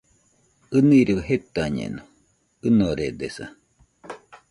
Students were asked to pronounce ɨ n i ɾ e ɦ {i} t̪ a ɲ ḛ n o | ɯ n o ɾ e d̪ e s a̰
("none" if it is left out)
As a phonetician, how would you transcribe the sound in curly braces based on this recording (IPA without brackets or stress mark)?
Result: e